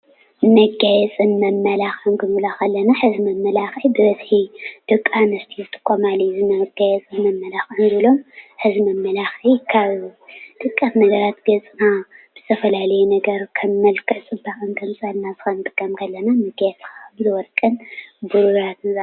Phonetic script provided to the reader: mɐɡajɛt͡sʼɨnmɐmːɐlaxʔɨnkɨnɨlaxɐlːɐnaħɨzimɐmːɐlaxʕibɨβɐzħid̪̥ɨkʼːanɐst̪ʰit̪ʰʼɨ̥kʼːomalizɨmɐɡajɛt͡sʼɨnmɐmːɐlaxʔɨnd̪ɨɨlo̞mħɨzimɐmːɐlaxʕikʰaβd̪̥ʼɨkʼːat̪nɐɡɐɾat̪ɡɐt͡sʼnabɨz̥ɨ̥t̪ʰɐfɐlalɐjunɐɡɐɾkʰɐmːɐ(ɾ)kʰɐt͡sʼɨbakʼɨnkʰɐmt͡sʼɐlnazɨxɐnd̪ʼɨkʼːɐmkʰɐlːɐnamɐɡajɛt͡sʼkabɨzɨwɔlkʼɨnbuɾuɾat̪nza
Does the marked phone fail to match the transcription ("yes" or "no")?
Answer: yes